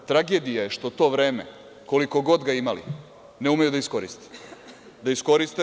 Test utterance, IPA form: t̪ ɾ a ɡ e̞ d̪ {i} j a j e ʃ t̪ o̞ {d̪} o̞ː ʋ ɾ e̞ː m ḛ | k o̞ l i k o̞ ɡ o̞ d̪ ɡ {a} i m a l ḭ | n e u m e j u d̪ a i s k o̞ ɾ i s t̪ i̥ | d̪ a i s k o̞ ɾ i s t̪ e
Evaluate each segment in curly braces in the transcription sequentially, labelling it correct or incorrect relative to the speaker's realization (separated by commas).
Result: correct, incorrect, correct